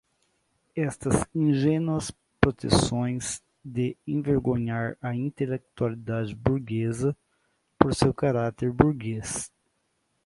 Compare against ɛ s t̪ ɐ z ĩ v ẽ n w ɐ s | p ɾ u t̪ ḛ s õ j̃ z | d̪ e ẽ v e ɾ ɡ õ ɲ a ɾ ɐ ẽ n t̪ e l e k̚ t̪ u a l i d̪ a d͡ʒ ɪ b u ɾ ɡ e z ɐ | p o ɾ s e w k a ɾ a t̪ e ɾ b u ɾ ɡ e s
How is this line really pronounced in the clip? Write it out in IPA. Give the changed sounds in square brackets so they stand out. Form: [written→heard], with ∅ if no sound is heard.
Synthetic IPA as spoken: ɛ s t̪ ɐ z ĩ [v→ʒ] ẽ n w ɐ s | p ɾ [u→o] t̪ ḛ s õ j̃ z | d̪ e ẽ v e ɾ ɡ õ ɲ a ɾ ɐ [ẽ→ĩ] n t̪ e l e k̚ t̪ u a l i d̪ a d͡ʒ ɪ b u ɾ ɡ e z ɐ | p o ɾ s e w k a ɾ a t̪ e ɾ b u ɾ ɡ e s